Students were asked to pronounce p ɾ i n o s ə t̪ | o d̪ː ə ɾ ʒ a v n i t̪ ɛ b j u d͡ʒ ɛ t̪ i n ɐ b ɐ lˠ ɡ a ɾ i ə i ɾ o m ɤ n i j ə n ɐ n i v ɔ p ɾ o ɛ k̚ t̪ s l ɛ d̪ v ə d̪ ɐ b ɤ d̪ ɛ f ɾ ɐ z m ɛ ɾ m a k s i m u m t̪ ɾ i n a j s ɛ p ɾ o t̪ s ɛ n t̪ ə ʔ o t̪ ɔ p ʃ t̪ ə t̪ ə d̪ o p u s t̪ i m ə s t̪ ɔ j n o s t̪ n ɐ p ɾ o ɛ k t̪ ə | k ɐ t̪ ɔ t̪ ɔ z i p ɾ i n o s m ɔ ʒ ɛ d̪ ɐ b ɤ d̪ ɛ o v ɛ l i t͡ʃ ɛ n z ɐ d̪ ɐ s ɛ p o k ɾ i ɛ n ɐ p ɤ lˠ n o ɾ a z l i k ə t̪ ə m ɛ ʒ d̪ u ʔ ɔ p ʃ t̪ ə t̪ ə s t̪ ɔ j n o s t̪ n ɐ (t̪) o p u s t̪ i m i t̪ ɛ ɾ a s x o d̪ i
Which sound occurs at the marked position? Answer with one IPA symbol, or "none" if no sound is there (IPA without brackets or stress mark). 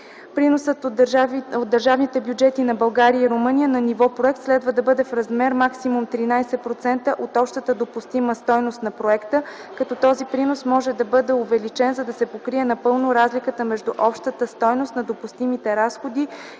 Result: d̪